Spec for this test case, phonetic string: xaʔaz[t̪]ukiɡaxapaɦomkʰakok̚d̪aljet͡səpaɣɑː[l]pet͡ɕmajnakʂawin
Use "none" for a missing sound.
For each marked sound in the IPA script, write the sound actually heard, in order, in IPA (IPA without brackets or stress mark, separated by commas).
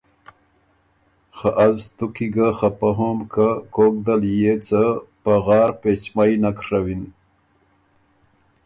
t̪, ɾ